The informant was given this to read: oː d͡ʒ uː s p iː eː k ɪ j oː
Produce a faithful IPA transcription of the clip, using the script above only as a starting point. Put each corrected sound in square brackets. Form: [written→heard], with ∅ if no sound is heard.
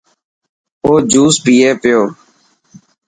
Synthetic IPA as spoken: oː d͡ʒ uː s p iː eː [k→p] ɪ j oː